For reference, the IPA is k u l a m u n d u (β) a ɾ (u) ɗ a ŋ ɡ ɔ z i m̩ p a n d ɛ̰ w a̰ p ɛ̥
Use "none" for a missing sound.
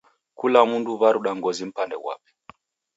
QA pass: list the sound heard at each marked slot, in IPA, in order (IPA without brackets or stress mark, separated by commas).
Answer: β, u